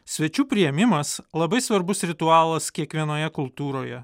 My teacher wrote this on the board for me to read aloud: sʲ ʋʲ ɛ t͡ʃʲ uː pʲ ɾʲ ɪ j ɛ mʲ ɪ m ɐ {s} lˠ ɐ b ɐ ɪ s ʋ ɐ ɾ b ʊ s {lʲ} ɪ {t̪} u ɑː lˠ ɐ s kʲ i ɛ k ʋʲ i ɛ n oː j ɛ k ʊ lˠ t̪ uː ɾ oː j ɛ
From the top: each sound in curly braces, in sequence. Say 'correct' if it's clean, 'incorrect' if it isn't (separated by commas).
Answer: correct, incorrect, correct